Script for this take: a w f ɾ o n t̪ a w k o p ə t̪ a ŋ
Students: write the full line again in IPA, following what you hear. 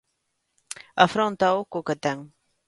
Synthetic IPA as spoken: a f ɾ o n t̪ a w k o k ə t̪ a ŋ